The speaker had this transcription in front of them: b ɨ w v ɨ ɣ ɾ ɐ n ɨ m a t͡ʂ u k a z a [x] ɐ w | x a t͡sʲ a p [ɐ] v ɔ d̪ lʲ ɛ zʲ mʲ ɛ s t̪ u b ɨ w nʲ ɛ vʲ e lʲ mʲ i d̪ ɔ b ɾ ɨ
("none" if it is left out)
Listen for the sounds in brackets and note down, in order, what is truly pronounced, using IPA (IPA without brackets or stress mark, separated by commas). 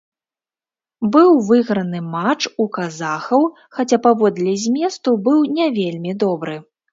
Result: x, a